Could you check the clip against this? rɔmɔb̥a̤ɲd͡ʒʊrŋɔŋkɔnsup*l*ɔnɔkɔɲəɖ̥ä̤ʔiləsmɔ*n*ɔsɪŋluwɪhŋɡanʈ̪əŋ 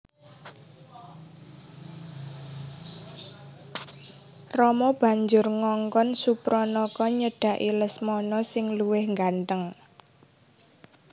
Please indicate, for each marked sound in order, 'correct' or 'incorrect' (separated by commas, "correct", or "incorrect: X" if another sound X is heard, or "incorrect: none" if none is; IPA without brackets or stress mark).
incorrect: ɾ, correct